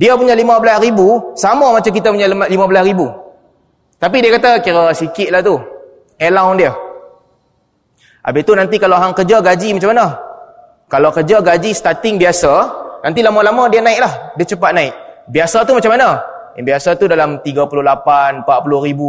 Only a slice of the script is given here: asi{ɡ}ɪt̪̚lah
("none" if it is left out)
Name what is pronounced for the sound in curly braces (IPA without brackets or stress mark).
k